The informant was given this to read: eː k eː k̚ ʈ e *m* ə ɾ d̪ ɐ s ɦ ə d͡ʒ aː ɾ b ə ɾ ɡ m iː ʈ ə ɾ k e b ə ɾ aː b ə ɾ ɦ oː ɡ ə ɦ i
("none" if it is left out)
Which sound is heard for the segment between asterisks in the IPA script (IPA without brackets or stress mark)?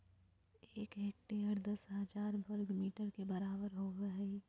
none